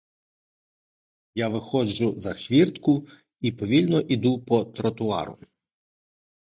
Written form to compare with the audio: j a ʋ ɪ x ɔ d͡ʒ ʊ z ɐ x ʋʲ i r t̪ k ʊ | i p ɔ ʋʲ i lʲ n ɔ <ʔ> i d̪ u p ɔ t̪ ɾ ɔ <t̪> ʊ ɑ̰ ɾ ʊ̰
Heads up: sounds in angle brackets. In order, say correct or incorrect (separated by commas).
correct, correct